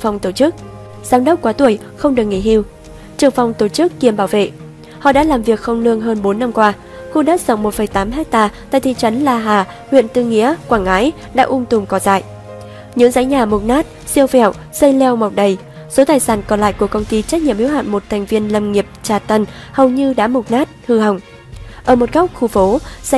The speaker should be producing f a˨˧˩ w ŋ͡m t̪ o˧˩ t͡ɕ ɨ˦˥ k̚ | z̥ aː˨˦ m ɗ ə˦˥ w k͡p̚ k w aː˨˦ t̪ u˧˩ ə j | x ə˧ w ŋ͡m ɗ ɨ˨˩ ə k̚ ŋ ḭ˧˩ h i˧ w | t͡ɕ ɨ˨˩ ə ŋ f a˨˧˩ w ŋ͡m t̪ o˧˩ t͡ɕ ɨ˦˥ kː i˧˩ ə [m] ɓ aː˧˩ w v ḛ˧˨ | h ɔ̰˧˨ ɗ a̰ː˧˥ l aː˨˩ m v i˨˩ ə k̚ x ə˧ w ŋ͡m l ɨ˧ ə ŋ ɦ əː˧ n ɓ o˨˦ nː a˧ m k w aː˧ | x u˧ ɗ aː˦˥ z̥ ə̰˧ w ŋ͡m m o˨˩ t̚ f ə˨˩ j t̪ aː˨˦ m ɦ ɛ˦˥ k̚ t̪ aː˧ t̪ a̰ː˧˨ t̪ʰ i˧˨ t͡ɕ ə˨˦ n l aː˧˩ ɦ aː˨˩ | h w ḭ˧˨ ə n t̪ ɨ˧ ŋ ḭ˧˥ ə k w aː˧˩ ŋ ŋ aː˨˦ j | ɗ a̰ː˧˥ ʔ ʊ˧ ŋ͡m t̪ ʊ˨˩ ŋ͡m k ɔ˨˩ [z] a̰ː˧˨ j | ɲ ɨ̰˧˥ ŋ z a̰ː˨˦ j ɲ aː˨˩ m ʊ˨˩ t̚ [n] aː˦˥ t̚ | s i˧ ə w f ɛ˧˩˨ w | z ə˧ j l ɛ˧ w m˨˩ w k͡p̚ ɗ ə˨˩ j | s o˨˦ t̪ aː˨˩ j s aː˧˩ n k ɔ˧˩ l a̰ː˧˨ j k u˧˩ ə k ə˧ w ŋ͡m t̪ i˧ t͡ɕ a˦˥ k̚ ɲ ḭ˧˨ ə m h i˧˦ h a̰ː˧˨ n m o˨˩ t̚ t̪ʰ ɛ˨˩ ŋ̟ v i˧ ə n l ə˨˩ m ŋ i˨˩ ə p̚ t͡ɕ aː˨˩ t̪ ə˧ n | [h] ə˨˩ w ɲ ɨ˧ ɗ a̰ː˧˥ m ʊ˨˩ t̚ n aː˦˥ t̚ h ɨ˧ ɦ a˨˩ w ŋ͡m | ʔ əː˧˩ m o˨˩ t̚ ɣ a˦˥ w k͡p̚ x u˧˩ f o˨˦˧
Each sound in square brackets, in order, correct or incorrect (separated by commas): correct, correct, correct, correct